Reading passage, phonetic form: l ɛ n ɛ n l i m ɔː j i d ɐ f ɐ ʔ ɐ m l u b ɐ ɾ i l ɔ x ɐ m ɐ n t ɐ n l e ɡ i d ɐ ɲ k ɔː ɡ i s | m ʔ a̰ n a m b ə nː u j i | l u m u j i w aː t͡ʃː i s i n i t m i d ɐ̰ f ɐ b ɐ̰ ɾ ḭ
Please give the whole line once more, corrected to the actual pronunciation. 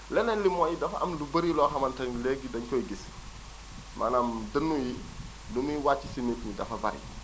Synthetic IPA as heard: l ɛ n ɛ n l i m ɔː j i d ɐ f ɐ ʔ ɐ m l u b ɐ ɾ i l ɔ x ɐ m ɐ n t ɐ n l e ɡ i d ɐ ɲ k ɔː ɡ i s | m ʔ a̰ n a m d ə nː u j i | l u m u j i w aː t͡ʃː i s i n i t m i d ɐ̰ f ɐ b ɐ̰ ɾ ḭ